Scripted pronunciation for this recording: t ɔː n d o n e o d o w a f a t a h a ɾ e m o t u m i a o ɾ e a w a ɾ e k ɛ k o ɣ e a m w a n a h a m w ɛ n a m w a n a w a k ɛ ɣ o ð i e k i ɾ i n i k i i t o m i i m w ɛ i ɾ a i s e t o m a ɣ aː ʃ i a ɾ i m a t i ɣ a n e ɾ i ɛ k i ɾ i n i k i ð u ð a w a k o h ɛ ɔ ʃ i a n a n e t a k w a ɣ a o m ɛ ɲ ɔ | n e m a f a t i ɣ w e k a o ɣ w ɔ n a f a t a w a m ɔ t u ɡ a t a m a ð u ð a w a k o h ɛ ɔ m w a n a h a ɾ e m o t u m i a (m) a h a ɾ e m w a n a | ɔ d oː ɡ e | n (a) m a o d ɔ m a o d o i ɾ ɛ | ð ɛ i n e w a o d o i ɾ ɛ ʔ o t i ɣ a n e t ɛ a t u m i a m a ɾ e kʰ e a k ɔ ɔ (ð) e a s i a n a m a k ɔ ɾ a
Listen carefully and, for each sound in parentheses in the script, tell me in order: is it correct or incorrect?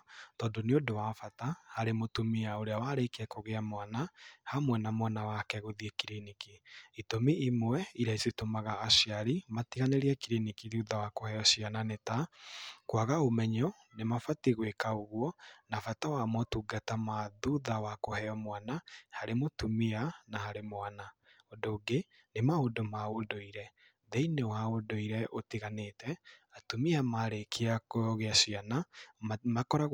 incorrect, incorrect, incorrect

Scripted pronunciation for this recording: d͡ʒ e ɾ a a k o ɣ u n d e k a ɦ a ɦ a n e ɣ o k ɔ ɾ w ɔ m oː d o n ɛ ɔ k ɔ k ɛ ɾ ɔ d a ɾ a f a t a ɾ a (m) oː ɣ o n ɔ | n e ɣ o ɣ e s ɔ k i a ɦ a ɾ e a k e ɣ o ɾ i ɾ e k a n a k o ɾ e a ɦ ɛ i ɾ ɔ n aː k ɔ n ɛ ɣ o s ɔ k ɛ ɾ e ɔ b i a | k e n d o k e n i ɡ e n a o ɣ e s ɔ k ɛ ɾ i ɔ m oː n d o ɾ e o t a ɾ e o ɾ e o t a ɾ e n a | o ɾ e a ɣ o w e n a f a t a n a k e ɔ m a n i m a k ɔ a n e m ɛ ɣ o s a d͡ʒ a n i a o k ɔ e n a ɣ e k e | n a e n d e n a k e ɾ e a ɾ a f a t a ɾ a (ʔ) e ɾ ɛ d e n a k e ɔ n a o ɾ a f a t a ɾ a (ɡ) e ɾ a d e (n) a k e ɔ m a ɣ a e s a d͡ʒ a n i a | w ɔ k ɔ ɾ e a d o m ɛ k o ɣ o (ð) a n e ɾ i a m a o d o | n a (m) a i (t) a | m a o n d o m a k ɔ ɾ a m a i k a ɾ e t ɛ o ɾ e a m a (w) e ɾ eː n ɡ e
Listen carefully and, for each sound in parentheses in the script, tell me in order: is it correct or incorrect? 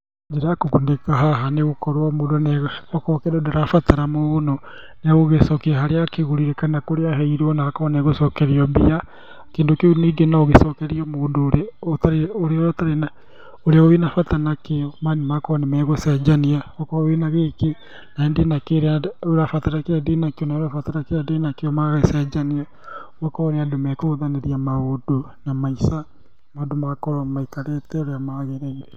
correct, incorrect, incorrect, correct, correct, correct, incorrect, incorrect

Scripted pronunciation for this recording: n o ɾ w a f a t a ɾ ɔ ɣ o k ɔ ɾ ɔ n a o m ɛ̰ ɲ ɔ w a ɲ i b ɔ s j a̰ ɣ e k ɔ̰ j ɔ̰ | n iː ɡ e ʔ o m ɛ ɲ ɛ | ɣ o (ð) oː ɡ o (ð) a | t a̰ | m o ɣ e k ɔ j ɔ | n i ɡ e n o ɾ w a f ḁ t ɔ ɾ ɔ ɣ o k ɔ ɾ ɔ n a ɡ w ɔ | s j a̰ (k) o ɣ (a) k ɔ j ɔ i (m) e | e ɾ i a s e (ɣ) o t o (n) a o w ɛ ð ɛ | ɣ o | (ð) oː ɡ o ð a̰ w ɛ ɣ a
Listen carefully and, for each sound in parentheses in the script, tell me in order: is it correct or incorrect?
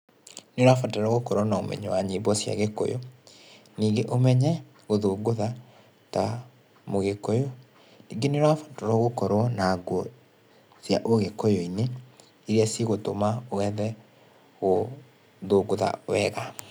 correct, correct, incorrect, incorrect, incorrect, correct, incorrect, correct

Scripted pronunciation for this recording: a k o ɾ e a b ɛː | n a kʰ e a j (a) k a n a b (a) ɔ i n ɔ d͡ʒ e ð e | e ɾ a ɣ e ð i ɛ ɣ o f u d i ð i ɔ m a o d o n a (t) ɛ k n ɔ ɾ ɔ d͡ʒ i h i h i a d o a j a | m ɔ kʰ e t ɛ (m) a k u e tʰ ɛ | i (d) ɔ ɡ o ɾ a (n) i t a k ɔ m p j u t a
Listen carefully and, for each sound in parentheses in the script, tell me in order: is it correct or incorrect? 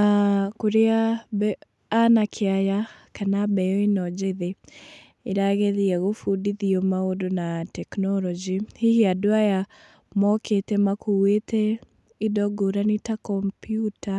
correct, incorrect, correct, correct, correct, correct

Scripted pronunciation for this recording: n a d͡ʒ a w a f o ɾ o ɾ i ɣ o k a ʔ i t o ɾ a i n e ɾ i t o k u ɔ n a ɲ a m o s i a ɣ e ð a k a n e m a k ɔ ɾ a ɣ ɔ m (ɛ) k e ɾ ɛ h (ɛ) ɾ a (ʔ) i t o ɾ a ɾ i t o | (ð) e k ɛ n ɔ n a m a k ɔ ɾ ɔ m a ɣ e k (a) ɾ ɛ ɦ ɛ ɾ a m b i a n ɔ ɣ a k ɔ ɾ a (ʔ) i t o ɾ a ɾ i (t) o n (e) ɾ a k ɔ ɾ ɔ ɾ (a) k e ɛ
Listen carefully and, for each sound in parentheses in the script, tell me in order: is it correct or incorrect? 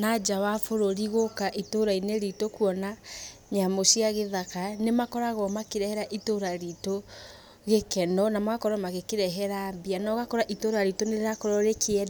incorrect, correct, correct, incorrect, incorrect, correct, correct, correct, incorrect

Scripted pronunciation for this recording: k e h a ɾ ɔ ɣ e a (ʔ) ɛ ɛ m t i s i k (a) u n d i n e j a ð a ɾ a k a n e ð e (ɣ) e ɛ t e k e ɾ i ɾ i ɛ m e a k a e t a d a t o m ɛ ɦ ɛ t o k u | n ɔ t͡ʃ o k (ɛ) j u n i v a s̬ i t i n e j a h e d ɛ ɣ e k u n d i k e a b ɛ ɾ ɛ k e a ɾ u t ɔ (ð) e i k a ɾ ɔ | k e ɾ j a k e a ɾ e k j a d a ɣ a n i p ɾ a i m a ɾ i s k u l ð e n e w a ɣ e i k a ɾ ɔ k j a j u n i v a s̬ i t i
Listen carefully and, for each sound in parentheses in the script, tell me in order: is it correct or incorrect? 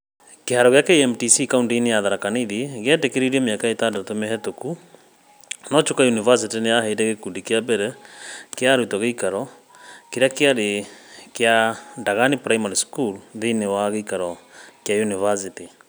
incorrect, correct, correct, incorrect, incorrect

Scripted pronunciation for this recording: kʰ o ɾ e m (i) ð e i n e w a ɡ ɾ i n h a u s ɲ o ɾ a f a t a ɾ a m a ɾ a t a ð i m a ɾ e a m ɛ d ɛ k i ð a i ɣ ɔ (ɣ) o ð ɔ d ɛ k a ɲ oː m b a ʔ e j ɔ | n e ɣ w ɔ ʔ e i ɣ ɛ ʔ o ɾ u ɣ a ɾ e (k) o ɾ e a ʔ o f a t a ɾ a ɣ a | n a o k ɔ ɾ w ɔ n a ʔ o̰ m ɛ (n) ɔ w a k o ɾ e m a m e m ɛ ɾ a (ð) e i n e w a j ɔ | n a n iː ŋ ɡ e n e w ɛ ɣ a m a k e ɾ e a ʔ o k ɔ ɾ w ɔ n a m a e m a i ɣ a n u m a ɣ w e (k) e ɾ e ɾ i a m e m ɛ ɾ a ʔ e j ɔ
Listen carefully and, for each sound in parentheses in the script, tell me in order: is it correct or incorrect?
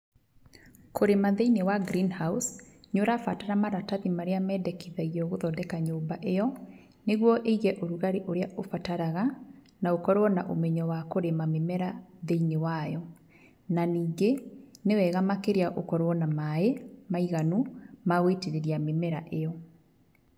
incorrect, correct, incorrect, incorrect, correct, incorrect

